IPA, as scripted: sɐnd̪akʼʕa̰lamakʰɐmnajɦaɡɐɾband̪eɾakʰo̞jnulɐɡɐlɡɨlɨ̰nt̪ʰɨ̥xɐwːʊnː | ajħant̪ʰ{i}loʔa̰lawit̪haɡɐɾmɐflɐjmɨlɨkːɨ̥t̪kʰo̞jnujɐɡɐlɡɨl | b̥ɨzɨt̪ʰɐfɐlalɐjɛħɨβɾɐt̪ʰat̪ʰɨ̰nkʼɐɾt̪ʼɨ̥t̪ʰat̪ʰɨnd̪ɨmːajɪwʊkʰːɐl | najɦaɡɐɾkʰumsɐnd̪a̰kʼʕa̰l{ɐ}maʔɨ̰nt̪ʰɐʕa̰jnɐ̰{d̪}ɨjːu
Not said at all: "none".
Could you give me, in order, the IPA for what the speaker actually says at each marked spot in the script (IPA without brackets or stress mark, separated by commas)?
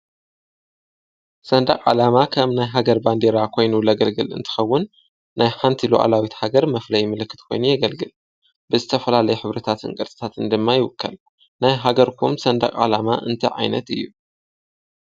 i, a, t̪